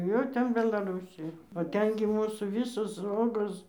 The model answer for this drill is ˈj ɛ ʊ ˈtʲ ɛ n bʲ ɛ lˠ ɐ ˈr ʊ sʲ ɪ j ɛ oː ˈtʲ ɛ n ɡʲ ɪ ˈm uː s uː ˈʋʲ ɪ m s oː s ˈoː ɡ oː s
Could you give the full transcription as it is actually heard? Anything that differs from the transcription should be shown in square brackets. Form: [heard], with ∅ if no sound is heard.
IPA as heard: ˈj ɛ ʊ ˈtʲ ɛ n bʲ ɛ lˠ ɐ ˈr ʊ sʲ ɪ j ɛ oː ˈtʲ ɛ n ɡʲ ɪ ˈm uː s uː ˈʋʲ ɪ [∅] s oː s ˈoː ɡ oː s